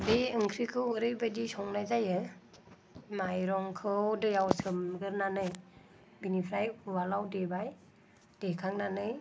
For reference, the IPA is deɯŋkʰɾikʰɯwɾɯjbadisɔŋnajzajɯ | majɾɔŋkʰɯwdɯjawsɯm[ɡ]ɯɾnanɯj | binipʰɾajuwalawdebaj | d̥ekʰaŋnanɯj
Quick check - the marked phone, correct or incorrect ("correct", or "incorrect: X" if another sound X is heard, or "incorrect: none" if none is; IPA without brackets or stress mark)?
correct